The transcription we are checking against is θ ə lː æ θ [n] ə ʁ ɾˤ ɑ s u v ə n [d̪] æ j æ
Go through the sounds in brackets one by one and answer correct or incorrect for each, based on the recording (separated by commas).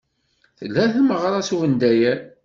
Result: incorrect, correct